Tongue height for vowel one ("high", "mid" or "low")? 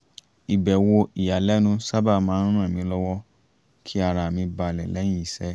high